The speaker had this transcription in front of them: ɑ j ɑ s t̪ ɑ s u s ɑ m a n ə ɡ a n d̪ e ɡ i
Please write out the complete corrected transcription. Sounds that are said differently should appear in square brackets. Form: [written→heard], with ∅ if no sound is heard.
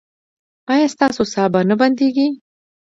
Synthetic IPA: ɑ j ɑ s t̪ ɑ s [u→o] s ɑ [m→b] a n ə [ɡ→b] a n d̪ e ɡ i